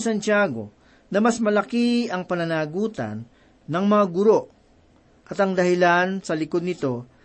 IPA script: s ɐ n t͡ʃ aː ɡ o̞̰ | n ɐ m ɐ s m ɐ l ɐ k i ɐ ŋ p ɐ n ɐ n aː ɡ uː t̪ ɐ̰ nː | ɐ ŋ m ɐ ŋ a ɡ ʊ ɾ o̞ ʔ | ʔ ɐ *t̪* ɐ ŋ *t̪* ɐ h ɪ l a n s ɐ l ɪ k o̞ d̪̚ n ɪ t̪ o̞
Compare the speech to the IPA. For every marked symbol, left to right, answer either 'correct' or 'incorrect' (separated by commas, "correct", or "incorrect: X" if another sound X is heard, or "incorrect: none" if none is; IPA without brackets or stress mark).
correct, incorrect: d̪